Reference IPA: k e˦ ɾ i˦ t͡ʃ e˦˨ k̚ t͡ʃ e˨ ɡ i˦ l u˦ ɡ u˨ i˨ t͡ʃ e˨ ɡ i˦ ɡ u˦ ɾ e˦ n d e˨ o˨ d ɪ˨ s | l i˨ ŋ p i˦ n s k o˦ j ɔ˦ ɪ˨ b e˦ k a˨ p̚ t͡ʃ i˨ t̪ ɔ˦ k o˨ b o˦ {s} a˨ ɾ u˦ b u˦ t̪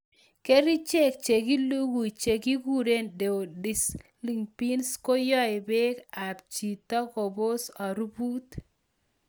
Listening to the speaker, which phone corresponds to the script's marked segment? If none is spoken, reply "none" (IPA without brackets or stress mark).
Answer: s